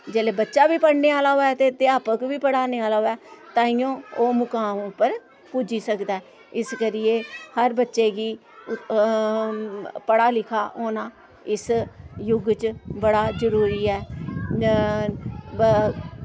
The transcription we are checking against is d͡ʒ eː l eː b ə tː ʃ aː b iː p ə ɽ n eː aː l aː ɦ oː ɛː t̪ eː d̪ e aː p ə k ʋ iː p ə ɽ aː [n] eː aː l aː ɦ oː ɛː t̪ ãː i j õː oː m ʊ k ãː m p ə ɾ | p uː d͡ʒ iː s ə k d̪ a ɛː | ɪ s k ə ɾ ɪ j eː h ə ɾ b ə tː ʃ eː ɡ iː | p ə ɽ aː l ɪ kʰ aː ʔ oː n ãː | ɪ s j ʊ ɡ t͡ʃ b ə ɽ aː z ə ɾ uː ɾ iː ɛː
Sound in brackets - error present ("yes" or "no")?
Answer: no